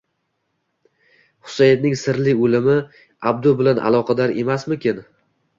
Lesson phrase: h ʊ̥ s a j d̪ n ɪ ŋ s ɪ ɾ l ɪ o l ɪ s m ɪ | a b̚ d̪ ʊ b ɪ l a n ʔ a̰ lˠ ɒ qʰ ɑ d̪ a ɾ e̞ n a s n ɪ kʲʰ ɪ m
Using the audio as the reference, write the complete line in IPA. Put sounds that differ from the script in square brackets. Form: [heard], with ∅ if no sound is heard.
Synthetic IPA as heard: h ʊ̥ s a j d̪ n ɪ ŋ s ɪ ɾ l ɪ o l ɪ [∅] m ɪ | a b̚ d̪ ʊ b ɪ l a n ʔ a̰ lˠ ɒ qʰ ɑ d̪ a ɾ e̞ [m] a s [m] ɪ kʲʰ ɪ [n]